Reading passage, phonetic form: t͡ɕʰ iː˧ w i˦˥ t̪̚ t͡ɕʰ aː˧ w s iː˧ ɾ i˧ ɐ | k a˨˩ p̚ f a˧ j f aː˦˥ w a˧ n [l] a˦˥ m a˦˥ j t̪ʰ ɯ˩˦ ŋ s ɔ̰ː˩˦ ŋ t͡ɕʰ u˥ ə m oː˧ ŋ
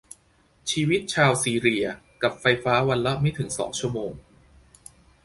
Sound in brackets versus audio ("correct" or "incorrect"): correct